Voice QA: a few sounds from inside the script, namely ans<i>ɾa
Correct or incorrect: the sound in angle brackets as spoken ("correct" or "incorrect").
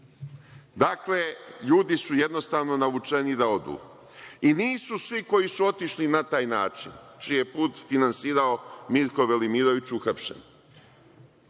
incorrect